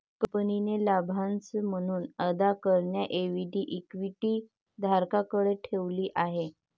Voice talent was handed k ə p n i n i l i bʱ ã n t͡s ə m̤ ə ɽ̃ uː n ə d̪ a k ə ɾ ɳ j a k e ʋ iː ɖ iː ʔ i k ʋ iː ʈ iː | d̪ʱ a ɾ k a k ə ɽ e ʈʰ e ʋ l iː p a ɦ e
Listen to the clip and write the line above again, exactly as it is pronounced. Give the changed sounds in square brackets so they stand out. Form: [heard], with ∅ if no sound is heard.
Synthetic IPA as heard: k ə p n i n [e] l [a] bʱ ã n t͡s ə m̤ ə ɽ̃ uː n ə d̪ a k ə ɾ ɳ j a [ʔ] e ʋ [i] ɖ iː ʔ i k ʋ [i] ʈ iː | d̪ʱ a ɾ k a k ə ɽ e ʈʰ e ʋ l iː [ʔ] a ɦ e

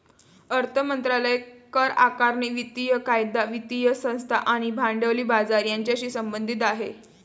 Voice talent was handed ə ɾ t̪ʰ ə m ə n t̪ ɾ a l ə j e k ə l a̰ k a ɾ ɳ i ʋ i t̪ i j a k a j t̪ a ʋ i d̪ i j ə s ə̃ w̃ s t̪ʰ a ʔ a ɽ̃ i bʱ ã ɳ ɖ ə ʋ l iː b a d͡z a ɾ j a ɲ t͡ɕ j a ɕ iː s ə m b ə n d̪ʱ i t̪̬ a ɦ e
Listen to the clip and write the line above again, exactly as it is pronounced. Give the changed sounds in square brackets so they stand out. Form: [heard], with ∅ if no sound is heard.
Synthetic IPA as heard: ə ɾ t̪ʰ ə m ə n t̪ ɾ a l ə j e k ə [ɾ] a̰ k a ɾ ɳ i ʋ i t̪ i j [ə] k a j [d̪] a ʋ i [t̪] i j ə s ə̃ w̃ s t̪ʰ a ʔ a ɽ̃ i bʱ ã ɳ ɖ ə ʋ l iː b a d͡z a ɾ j a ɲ t͡ɕ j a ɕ iː s ə m b ə n d̪ʱ i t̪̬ a ɦ e

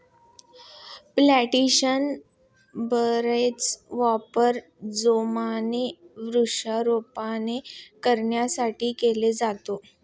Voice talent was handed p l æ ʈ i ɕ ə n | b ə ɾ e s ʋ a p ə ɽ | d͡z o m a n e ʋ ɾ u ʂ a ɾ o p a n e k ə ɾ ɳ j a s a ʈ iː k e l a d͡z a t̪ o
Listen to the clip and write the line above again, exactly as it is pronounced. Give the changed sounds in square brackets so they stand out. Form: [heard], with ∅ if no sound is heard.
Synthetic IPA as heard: p l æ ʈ i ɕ ə n | b ə ɾ e [t͡s] ʋ a p ə [ɾ] | d͡z o m a n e ʋ ɾ u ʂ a ɾ o p a n e k ə ɾ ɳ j a s a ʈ iː k e l [e] d͡z a t̪ o

